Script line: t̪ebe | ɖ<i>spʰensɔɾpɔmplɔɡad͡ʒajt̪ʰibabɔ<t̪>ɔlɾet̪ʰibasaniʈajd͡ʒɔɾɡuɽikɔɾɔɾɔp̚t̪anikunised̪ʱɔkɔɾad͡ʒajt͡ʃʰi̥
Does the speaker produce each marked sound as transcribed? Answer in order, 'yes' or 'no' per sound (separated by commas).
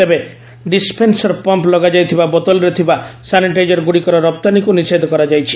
yes, yes